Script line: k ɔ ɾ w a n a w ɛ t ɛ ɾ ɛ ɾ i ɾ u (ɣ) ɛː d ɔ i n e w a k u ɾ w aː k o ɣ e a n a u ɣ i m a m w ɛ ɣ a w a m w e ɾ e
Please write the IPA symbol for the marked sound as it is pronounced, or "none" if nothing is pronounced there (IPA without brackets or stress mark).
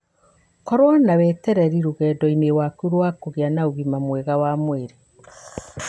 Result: ɣ